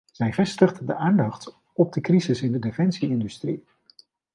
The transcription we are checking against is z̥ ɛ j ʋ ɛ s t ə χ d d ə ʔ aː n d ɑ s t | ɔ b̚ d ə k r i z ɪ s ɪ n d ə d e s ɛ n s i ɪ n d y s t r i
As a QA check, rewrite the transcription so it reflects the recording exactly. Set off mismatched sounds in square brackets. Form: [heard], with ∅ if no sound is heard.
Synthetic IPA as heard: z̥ ɛ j [v] ɛ s t ə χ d d ə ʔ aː n d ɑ [χ] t | ɔ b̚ d ə k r i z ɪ s ɪ n d ə d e [f] ɛ n s i ɪ n d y s t r i